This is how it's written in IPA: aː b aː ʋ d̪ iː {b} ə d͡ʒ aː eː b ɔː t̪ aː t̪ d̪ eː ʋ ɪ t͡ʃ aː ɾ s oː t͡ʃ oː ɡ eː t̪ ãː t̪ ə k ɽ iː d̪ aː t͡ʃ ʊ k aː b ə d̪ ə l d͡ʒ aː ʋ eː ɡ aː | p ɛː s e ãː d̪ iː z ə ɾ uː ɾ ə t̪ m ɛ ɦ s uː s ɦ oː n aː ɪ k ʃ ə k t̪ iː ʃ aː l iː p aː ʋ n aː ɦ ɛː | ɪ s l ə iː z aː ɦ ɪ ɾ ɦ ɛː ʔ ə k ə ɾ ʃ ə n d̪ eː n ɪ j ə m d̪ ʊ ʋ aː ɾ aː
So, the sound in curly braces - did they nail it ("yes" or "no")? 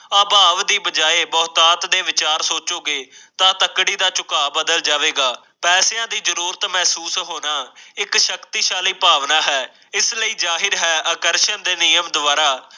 yes